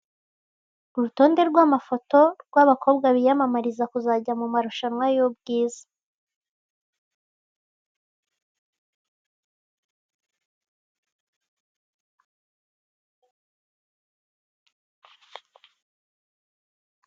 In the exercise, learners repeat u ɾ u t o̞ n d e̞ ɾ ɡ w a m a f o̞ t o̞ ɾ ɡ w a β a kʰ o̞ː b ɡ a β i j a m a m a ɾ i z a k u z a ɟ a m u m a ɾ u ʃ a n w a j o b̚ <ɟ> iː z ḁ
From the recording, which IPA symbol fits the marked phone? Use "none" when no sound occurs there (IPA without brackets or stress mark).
ɡ